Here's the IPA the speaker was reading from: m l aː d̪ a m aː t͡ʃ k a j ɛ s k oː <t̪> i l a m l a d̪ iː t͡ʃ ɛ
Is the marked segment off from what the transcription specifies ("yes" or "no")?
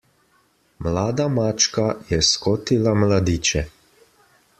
no